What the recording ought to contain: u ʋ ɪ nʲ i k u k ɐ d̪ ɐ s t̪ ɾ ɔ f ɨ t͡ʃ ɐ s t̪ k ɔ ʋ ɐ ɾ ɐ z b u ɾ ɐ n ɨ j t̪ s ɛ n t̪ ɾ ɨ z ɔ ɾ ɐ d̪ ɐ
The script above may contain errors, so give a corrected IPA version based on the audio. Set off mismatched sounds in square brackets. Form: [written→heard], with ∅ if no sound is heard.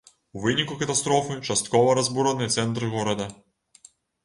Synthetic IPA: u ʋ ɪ nʲ i k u k ɐ [d̪→t̪] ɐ s t̪ ɾ ɔ f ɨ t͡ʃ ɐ s t̪ k ɔ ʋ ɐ ɾ ɐ z b u ɾ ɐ n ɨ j t̪ s ɛ n t̪ ɾ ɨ [z→ɣ] ɔ ɾ ɐ d̪ ɐ